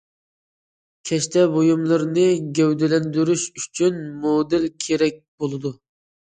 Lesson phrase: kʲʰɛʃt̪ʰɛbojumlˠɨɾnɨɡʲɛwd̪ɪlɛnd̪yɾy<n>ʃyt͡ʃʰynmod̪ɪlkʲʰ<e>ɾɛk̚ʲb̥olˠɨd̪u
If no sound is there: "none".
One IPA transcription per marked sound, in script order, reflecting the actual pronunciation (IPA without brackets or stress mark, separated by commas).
none, e